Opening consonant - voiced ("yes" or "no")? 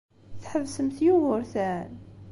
no